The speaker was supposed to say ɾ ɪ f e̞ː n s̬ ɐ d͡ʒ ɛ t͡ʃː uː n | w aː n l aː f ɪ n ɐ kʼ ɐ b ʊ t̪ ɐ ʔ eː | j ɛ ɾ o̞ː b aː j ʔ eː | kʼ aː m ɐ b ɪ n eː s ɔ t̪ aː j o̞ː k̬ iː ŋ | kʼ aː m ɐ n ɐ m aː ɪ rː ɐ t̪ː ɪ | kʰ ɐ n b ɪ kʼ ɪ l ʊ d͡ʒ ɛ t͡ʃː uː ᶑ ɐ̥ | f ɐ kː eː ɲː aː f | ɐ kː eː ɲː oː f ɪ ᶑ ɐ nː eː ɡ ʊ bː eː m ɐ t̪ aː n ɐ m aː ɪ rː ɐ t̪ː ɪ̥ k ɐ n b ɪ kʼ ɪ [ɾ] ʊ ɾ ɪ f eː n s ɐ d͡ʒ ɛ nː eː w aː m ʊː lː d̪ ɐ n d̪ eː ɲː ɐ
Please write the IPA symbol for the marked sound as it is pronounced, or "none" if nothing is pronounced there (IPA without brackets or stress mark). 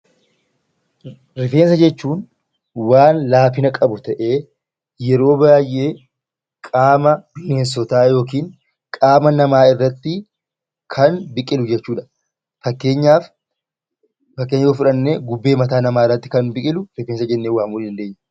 l